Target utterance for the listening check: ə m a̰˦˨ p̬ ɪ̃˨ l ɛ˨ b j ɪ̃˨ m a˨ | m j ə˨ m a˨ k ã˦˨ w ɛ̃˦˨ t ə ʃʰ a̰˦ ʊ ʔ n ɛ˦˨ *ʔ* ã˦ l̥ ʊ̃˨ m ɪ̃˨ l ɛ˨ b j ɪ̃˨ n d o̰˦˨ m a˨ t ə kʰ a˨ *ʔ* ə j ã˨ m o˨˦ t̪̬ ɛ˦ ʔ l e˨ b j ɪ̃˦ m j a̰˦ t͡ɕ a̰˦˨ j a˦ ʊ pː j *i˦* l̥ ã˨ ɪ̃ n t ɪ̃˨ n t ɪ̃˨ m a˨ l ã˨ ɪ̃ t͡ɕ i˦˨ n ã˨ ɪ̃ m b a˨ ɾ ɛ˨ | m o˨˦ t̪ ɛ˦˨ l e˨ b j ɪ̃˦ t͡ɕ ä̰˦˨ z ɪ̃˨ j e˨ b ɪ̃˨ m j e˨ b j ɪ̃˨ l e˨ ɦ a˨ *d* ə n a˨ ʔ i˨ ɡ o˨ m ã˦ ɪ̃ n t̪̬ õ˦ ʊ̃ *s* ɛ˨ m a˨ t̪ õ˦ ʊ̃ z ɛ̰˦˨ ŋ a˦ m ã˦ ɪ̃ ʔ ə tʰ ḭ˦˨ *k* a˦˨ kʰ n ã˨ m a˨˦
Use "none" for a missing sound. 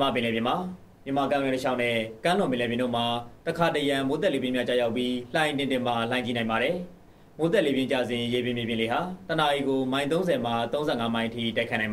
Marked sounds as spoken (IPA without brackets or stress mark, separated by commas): k, t, i˦, t, z, t